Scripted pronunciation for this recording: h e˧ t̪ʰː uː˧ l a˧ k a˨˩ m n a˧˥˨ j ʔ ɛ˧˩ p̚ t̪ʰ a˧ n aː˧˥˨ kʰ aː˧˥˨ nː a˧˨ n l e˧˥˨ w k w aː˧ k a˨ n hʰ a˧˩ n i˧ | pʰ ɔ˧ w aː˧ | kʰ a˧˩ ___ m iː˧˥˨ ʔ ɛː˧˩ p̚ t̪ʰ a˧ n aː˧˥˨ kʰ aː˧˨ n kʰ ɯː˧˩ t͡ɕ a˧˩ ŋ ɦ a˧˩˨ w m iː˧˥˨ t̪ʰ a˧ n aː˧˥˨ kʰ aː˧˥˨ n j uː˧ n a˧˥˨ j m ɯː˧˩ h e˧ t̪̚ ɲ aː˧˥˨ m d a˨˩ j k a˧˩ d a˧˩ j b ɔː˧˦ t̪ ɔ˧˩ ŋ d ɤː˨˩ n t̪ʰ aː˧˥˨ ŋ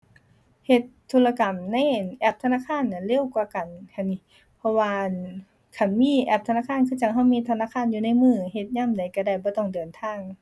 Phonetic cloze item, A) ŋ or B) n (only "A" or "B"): B